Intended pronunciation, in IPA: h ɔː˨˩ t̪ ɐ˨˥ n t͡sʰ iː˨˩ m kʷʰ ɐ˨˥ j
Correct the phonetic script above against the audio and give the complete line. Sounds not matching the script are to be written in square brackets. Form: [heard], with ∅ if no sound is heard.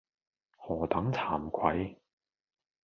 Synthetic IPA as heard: h ɔː˨˩ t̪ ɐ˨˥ [ŋ] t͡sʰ [aː˨˩] m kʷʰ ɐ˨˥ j